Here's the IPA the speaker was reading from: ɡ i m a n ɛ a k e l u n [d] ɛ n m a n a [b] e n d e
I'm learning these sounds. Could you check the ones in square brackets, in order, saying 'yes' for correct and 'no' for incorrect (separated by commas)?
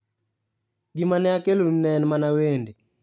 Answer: no, no